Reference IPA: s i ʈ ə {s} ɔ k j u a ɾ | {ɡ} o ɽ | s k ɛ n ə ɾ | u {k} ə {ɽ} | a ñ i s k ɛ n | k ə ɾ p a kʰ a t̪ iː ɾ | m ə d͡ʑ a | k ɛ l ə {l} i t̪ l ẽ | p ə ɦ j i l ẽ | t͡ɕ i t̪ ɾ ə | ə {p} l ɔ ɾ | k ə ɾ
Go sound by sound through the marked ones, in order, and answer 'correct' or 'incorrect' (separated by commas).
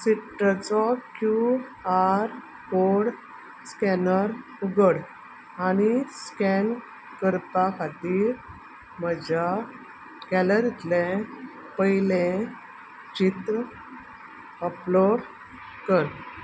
incorrect, incorrect, incorrect, correct, incorrect, correct